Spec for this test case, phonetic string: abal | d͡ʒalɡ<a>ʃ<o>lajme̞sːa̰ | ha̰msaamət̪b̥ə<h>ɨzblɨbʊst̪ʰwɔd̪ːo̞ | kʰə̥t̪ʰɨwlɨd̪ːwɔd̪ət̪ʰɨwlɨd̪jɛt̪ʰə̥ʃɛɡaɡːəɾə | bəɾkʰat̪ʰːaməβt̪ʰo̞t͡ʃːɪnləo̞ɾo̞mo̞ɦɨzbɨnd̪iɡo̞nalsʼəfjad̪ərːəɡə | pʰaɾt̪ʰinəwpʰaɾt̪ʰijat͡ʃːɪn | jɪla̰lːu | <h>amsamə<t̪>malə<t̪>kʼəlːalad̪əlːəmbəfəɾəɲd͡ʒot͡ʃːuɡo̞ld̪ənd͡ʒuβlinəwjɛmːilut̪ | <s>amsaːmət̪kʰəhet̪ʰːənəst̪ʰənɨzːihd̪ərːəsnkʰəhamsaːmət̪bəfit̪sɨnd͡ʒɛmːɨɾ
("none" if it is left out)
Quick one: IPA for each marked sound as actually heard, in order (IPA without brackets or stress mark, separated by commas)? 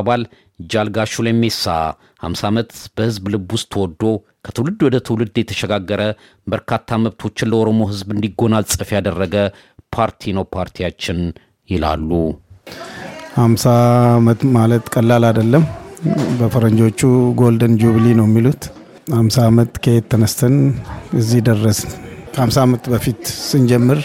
a, u, h, h, t̪, t̪, h